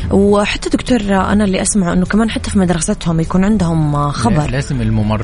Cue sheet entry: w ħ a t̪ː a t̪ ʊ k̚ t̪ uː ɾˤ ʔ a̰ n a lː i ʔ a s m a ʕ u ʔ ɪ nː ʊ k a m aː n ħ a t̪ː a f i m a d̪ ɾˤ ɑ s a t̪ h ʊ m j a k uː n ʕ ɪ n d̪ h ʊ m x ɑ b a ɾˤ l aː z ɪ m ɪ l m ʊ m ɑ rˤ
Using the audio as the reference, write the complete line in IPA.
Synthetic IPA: w ħ a t̪ː a d̪ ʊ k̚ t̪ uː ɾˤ ʔ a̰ n a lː i ʔ a s m a ʕ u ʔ ɪ nː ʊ k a m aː n ħ a t̪ː a f i m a d̪ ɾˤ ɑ s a t̪ h ʊ m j a k uː n ʕ ɪ n d̪ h ʊ m x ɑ b ɑ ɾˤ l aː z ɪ m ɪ l m ʊ m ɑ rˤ